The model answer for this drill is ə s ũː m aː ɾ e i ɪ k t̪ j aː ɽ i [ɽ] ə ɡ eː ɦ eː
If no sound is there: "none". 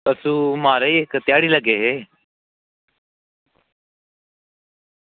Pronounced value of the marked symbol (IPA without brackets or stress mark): l